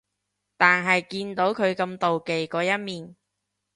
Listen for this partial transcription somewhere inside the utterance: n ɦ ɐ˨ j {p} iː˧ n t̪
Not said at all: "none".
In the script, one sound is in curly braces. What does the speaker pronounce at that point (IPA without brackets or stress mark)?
k